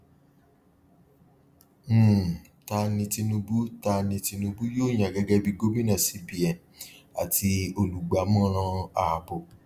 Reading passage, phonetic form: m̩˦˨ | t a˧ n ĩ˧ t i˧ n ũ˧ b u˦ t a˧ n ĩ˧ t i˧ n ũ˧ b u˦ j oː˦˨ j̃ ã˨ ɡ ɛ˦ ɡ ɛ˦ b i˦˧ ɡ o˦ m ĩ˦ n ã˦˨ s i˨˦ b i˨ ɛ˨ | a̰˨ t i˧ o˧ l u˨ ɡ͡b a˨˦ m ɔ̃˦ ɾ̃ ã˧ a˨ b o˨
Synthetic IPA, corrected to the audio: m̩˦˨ | t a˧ n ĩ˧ t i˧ n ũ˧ b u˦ t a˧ n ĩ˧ t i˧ n ũ˧ b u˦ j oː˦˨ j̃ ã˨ ɡ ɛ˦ ɡ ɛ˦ b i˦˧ ɡ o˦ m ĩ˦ n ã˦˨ s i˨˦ b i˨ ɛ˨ | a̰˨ t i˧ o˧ l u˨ ɡ͡b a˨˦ m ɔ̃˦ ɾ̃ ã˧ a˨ b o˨